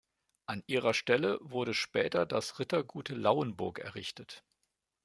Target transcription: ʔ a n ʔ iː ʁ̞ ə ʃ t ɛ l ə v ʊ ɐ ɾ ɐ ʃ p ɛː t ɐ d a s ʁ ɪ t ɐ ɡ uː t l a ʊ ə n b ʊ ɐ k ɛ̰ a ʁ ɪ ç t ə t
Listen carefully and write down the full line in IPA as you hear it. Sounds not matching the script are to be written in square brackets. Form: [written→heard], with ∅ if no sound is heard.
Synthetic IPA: ʔ a n ʔ iː ʁ̞ [ə→ɐ] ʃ t ɛ l ə v ʊ ɐ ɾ [ɐ→ə] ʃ p ɛː t ɐ d a s ʁ ɪ t ɐ ɡ uː t l a ʊ ə n b ʊ ɐ k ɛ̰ [a→ɐ] ʁ ɪ ç t ə t